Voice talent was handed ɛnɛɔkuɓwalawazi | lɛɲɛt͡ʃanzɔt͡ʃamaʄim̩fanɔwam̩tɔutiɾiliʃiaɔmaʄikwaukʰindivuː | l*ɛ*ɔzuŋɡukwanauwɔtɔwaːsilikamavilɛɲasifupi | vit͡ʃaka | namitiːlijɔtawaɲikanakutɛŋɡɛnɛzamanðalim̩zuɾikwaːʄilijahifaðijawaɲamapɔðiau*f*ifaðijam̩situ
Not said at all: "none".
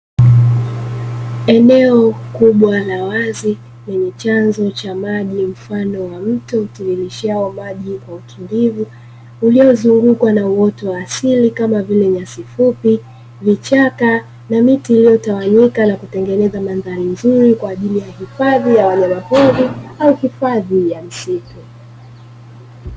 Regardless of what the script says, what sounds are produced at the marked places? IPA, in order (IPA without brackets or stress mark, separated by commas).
i, h